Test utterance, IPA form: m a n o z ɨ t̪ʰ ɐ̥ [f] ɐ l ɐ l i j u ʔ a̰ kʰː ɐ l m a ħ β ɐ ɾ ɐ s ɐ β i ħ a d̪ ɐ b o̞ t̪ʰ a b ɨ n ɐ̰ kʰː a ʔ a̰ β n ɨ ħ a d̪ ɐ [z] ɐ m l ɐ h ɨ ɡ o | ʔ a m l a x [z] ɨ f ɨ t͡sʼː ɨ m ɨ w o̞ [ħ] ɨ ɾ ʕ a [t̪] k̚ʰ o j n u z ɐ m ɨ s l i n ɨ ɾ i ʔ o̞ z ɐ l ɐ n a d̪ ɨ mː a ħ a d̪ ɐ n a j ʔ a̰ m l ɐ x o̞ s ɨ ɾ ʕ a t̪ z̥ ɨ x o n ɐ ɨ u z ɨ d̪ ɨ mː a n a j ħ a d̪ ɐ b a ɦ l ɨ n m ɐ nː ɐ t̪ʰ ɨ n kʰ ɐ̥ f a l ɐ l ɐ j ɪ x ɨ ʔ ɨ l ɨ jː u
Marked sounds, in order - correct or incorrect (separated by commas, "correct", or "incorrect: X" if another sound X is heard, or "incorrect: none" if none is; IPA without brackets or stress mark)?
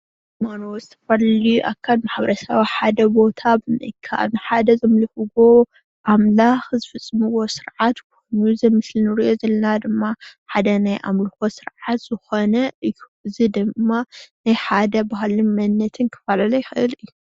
correct, correct, correct, incorrect: s, correct